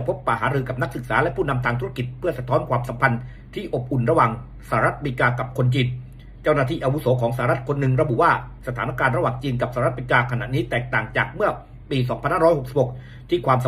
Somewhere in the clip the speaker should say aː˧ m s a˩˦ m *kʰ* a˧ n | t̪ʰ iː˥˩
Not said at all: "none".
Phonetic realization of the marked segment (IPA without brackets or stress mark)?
pʰ